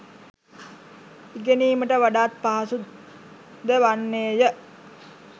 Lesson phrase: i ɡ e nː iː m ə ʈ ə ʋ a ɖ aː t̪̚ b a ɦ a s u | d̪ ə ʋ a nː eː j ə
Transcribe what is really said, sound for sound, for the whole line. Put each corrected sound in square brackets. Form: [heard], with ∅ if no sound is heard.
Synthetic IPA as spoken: i ɡ e [n] iː m ə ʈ ə ʋ a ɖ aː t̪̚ [p] a ɦ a s u | d̪ ə ʋ a nː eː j ə

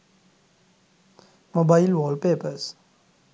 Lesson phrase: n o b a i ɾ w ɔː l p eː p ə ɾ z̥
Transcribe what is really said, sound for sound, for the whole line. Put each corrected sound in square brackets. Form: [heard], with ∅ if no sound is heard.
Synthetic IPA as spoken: [m] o b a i [l] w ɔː l p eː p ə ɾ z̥

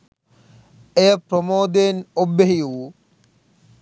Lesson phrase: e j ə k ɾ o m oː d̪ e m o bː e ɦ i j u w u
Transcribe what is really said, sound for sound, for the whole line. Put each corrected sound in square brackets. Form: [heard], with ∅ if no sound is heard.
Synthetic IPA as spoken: e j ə [p] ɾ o m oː d̪ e [n] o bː e ɦ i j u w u

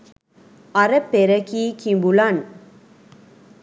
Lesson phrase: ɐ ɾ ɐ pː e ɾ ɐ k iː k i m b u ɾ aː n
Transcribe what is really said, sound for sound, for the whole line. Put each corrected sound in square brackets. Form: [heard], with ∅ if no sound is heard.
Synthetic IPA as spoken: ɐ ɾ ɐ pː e ɾ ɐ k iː k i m b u [l] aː n

